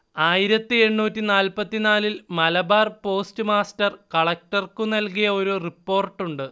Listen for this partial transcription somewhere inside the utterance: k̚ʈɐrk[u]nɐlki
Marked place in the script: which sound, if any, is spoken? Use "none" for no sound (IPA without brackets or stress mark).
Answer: u